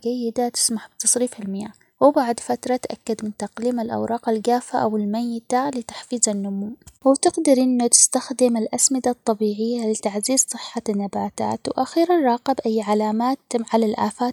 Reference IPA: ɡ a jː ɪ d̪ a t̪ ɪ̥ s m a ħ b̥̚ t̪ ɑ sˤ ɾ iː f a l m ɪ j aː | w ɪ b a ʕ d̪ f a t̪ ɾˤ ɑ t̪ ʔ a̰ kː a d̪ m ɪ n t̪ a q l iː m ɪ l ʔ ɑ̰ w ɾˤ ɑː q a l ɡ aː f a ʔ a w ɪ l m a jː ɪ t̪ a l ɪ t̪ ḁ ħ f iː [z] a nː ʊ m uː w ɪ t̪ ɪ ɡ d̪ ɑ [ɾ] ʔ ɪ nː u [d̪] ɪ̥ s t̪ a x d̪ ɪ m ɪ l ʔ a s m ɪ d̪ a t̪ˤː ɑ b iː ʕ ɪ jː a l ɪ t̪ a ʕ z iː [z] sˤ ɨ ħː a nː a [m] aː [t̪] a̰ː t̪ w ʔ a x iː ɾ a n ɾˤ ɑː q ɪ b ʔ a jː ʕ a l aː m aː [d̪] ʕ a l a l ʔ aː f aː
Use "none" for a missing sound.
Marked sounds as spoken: z, ɾ, t̪, z, b, t̪, t̪

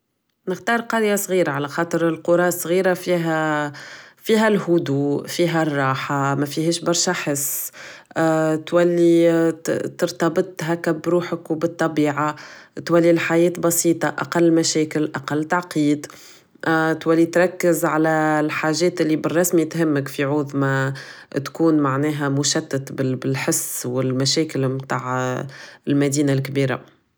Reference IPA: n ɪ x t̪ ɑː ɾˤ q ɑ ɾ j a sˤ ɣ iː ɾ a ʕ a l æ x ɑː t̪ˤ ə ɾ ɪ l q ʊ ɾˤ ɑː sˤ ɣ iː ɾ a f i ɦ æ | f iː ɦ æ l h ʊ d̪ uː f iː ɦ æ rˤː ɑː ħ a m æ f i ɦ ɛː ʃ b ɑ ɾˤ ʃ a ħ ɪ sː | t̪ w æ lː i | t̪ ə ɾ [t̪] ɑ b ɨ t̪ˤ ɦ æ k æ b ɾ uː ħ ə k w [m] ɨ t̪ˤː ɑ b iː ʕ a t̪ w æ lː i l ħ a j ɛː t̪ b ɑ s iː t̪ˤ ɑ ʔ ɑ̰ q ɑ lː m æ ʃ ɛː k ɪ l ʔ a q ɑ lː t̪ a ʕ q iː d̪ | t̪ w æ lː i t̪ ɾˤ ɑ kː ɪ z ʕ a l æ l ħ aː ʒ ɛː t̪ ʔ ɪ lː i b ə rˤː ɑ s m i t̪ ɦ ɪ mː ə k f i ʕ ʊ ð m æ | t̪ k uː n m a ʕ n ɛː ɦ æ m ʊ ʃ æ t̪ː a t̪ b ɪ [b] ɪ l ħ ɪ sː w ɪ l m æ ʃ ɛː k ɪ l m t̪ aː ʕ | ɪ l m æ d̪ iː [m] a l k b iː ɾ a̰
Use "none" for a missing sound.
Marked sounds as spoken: t̪, b, b, n

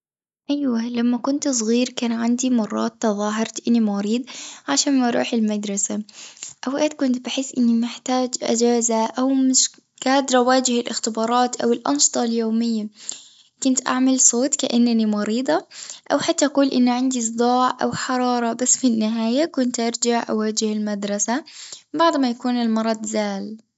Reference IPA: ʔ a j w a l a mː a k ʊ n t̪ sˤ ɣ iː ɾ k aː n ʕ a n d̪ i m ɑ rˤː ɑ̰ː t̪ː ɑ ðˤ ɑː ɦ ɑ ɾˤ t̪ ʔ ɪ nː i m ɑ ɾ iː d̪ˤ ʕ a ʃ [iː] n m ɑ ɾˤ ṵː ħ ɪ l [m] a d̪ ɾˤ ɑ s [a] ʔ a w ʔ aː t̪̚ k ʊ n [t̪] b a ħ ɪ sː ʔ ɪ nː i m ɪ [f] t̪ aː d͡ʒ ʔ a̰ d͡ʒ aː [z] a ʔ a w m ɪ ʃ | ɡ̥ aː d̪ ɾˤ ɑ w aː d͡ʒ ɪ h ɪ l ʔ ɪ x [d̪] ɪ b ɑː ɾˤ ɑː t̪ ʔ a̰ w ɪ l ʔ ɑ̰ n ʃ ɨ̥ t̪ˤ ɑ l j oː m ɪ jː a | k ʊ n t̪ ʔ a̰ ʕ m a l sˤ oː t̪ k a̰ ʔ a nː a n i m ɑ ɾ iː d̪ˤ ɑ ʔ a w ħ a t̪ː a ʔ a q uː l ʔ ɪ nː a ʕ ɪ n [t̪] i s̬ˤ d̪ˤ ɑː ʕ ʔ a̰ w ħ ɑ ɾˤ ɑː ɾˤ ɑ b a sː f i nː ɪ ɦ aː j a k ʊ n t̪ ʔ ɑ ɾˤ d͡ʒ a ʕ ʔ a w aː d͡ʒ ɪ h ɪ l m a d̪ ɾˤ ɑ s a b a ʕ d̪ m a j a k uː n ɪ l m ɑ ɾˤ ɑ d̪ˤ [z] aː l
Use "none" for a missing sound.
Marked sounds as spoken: aː, m, a, t̪, ħ, z, t̪, d̪, z

